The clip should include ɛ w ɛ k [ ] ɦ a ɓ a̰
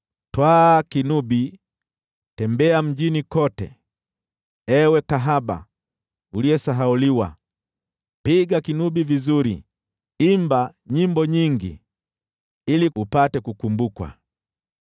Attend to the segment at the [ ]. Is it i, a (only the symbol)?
a